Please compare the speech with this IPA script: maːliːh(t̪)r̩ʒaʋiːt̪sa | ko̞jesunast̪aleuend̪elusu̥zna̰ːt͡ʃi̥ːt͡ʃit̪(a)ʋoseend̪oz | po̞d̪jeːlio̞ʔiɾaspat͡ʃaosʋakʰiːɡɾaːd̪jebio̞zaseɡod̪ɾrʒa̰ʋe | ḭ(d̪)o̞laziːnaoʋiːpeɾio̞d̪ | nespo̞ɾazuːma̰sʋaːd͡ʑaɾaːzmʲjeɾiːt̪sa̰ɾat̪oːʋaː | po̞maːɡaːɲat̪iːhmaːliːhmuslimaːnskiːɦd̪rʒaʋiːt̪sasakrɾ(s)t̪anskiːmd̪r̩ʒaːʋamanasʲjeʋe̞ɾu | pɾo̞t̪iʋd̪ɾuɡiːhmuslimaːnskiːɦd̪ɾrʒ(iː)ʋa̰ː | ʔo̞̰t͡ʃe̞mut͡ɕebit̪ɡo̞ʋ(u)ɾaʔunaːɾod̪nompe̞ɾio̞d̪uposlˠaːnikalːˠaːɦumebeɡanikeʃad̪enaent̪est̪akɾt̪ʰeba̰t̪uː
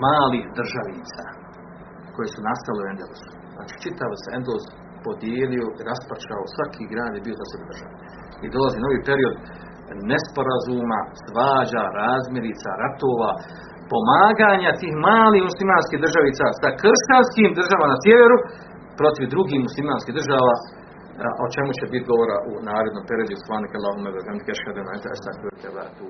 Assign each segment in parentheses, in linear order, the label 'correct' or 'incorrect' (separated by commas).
incorrect, correct, correct, incorrect, incorrect, incorrect